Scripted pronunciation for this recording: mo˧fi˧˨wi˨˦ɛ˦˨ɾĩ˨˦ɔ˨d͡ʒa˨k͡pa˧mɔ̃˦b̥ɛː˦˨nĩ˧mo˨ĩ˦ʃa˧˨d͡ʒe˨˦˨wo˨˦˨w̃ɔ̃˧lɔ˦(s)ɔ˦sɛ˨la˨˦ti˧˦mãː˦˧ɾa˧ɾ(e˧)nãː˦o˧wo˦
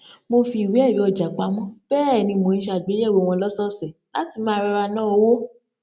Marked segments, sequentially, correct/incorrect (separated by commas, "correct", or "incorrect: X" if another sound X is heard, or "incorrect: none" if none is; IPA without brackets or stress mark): correct, incorrect: a˧